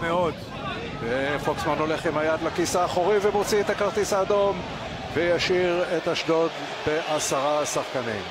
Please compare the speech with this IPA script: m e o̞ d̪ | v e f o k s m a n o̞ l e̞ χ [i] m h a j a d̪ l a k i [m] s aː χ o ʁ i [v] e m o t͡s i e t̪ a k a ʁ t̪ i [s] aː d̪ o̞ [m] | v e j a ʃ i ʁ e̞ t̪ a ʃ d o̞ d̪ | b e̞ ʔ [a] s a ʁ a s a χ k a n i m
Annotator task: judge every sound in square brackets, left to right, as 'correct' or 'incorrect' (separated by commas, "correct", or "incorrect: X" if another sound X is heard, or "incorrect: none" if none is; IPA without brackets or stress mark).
correct, incorrect: none, correct, correct, correct, correct